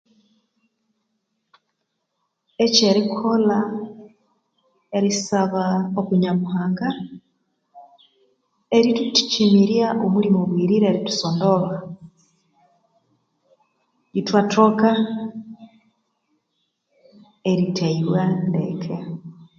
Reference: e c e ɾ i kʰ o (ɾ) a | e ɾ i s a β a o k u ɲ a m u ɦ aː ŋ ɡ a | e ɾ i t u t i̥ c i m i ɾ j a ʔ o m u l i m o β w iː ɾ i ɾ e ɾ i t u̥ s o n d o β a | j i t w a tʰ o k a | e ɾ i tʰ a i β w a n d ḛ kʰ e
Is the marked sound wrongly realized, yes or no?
yes